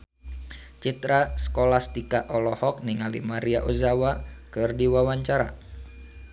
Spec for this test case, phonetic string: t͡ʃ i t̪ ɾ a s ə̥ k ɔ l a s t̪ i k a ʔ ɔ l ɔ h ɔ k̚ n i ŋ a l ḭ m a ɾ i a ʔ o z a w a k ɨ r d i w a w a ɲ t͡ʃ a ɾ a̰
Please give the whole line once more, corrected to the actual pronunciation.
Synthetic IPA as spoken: t͡ʃ i t̪ ɾ a s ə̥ k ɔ l a s t̪ i k a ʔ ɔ l ɔ h ɔ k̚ n i ŋ a l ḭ m a ɾ i a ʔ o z a w a k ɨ r d i w a w a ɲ t͡ʃ a ɾ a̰